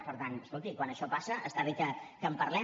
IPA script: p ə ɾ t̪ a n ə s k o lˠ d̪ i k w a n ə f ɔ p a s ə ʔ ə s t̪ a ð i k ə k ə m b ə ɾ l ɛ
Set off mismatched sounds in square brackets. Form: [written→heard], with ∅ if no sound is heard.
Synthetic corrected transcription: p ə ɾ t̪ a n ə s k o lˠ [d̪→t̪] i k w a n ə [f→ʃ] ɔ p a s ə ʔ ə s t̪ a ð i k ə k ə m [b→p] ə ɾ l ɛ